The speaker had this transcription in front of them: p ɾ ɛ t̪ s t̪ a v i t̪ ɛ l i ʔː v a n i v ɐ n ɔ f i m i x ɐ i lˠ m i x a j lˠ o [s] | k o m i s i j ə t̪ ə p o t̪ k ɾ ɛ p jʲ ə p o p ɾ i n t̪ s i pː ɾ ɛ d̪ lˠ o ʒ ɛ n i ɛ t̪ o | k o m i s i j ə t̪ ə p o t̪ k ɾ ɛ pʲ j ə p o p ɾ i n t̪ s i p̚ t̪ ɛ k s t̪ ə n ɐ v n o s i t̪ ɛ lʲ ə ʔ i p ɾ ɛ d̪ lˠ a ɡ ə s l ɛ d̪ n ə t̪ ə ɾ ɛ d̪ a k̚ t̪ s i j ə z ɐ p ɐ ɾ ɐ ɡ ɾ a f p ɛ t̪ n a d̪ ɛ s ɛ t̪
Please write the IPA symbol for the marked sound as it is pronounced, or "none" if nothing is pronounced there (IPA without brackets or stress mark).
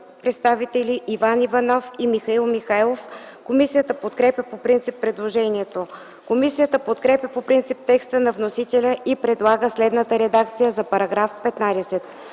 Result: f